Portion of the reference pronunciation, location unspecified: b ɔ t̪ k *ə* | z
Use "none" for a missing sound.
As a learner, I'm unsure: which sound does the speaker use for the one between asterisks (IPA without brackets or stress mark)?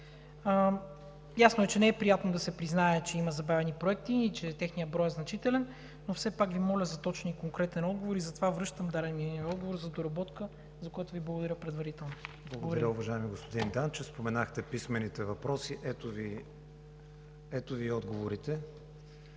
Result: ə